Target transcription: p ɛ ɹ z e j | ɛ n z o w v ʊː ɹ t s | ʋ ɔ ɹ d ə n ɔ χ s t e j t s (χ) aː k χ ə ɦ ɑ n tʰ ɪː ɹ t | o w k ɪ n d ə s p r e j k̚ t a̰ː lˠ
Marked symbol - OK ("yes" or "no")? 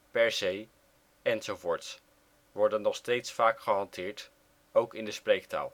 no